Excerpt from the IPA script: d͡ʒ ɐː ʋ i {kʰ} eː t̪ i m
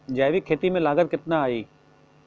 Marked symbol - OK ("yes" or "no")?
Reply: yes